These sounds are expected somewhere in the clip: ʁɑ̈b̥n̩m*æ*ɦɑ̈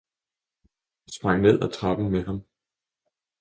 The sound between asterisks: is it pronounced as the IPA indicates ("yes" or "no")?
no